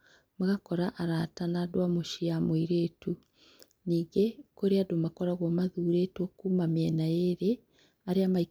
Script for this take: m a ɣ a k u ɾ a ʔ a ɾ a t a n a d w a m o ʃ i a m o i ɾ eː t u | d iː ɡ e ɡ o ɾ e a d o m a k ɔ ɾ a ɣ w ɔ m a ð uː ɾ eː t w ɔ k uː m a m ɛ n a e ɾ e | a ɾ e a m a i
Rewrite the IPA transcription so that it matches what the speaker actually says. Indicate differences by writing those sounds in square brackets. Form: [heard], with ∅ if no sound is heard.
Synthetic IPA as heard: m a ɣ a k [ɔ] ɾ a ʔ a ɾ a t a n a d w a m o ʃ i a m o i ɾ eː t u | [n] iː ɡ e [k] o ɾ e a d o m a k ɔ ɾ a ɣ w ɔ m a ð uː ɾ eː t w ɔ k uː m a m ɛ n a e ɾ e | a ɾ e a m a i

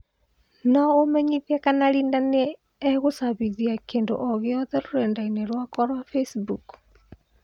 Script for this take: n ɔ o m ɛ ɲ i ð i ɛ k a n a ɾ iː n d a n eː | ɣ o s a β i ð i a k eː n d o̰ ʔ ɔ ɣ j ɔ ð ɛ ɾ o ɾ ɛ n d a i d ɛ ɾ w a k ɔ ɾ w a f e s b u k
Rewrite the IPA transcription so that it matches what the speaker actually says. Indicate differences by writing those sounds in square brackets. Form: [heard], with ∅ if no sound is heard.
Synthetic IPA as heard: n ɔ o m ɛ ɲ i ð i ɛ k a n a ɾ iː n d a n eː | ɣ o s a β i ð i a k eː n d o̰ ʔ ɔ ɣ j ɔ ð ɛ ɾ o ɾ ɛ n d a i [n] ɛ ɾ w a k ɔ ɾ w a f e s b u k

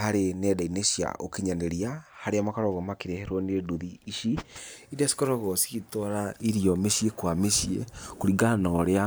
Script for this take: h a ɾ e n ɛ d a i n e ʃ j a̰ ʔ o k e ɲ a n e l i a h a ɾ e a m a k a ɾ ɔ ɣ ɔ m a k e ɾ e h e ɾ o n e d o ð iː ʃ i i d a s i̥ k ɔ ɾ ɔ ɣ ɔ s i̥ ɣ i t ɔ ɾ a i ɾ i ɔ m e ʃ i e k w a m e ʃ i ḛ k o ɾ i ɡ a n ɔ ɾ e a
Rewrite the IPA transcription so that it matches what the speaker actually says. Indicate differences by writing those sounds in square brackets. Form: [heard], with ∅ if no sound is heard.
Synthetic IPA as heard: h a ɾ e n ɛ d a i n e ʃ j a̰ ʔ o k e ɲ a n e [ɾ] i a h a ɾ e a m a k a ɾ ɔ ɣ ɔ m a k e ɾ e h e ɾ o n e d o ð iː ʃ i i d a s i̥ k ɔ ɾ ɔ ɣ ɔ s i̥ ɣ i t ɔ ɾ a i ɾ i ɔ m e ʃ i e k w a m e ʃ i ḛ k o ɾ i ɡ a n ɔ ɾ e a

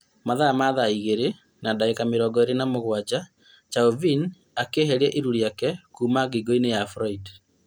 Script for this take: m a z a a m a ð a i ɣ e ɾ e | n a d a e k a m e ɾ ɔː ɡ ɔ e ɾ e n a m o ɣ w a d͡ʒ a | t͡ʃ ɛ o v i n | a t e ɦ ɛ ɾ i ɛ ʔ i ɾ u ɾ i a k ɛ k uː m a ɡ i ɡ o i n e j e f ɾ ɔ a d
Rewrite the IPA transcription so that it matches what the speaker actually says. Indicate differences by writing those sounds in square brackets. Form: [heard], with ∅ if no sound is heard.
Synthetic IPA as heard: m a [ð] a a m a ð a i ɣ e ɾ e | n a d a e k a m e ɾ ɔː ɡ ɔ e ɾ e n a m o ɣ w a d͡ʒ a | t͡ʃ [a] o v i n | a [k] e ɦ ɛ ɾ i ɛ ʔ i ɾ u ɾ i a k ɛ k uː m a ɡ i ɡ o i n e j [a] f ɾ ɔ [i] d

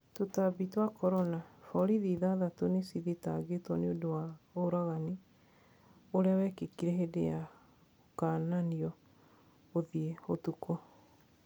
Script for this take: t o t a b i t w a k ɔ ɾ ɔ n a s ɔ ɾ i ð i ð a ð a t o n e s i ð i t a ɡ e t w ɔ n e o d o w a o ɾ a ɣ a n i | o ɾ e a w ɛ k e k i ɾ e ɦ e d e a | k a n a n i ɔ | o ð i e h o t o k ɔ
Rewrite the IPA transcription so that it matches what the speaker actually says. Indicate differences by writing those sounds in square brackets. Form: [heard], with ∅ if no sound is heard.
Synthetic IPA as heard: t o t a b i t w a k ɔ ɾ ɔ n a [f] ɔ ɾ i ð i ð a ð a t o n e s i ð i t a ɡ e t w ɔ n e o d o w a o ɾ a ɣ a n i | o ɾ e a w ɛ k e k i ɾ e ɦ e d e a | k a n a n i ɔ | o ð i e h o t [u] k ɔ

